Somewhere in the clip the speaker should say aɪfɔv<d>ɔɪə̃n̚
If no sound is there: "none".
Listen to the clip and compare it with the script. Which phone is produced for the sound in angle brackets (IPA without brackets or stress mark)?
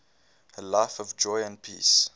d͡ʒ